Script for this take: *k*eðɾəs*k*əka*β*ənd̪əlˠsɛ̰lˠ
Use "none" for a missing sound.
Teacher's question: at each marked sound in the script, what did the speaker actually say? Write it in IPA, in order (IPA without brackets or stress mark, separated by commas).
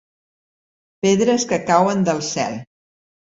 p, k, w